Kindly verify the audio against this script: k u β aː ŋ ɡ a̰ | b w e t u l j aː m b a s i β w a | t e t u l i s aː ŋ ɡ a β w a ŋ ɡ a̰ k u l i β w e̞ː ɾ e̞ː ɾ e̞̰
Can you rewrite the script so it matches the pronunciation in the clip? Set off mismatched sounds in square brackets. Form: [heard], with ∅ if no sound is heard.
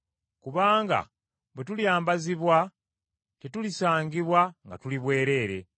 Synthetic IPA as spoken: k u β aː ŋ ɡ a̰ | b w e t u l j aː m b a [z] i β w a | t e t u l i s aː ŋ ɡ [i] β w a ŋ ɡ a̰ [t] u l i β w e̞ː ɾ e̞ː ɾ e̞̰

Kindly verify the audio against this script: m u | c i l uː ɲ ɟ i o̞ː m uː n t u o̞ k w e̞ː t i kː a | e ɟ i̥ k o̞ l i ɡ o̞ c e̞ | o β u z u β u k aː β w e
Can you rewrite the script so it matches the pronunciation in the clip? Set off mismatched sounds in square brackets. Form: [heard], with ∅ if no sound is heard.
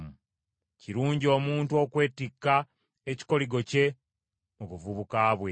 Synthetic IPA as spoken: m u | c i [ɾ] uː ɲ ɟ i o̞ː m uː n t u o̞ k w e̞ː t i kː a | e [c] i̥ k o̞ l i ɡ o̞ c e̞ | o β u [v] u β u k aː β w e

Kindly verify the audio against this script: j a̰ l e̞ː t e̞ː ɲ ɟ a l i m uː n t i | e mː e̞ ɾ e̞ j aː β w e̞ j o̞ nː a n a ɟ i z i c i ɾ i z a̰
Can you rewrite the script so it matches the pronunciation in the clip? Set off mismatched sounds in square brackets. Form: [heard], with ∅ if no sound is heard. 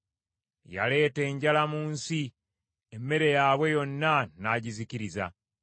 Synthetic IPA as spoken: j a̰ l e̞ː t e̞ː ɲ ɟ a l [a] m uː n [s] i | e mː e̞ ɾ e̞ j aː β w e̞ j o̞ nː a n a ɟ i z i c i ɾ i z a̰

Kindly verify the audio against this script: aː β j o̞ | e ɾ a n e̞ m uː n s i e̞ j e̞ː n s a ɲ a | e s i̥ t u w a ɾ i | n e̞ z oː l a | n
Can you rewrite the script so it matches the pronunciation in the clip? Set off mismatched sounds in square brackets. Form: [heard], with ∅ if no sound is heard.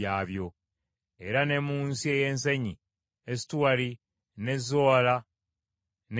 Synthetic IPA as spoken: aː β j o̞ | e ɾ a n e̞ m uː n s i e̞ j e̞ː n s [e] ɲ [i] | e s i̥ t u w a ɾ i | n e̞ z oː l a | n

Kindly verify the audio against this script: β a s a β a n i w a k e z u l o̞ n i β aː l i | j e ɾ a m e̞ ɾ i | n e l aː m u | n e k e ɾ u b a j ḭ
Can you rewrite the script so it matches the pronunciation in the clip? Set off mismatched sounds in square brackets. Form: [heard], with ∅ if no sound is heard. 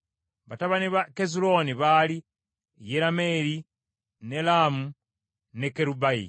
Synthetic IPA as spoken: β a [t] a β a n i [β] a k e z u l o̞ n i β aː l i | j e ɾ a m e̞ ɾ i | n e l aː m u | n e k e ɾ u b a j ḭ

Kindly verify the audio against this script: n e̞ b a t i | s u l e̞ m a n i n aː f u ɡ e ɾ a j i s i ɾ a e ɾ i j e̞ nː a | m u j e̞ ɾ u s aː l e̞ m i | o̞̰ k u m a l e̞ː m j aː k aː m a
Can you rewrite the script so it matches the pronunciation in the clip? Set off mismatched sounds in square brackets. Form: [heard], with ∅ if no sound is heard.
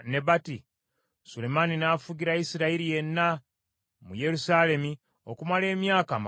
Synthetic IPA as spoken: n e̞ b a t i | s u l e̞ m a n i n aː f u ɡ [i] ɾ a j i s i ɾ a [i] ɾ i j e̞ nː a | m u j e̞ ɾ u s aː l e̞ m i | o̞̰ k u m a l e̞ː m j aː k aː m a

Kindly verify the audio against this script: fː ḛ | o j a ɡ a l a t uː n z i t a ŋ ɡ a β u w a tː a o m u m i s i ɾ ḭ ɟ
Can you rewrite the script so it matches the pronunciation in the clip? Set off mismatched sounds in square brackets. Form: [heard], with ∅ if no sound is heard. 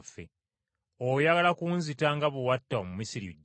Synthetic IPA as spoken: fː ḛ | o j a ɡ a l a [k] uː n z i t a ŋ ɡ a β u w a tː a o m u m i s i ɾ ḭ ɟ

